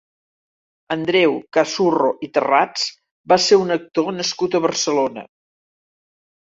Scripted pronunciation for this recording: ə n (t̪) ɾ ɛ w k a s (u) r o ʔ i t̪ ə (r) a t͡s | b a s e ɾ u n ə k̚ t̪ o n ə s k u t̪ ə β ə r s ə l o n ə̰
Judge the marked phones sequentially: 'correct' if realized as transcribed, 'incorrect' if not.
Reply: incorrect: d̪, correct, correct

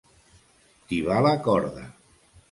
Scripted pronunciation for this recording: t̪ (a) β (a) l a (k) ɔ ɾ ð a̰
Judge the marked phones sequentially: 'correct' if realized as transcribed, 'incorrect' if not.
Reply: incorrect: i, correct, correct

